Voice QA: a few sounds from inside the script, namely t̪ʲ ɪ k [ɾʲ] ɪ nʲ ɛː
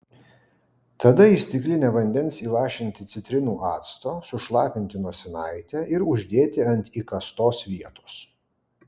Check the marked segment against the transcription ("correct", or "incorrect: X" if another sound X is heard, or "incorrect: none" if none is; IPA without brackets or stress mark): incorrect: lʲ